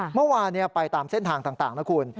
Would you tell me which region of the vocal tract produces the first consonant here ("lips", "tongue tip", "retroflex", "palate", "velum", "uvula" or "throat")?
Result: lips